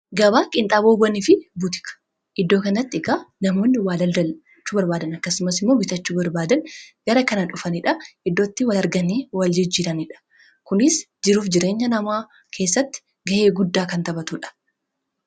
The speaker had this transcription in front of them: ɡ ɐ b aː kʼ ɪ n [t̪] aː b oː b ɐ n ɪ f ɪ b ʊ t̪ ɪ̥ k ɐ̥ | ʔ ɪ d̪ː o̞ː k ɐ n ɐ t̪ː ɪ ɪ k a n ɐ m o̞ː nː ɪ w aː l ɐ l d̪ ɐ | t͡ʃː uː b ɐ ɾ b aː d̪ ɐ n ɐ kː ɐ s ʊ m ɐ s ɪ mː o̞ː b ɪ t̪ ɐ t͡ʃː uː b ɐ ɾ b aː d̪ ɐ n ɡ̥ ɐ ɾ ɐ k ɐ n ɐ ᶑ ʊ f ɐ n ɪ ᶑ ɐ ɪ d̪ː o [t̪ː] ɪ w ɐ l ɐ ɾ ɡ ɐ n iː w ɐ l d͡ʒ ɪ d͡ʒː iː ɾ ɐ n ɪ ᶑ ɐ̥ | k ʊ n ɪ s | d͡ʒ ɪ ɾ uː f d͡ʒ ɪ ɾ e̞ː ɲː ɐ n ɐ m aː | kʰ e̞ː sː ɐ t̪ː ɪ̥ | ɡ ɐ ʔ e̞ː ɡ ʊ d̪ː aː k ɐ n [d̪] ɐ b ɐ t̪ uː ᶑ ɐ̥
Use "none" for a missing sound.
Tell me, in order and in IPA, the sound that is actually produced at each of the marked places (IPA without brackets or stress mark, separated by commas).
t̪ʼ, t̪ː, t̪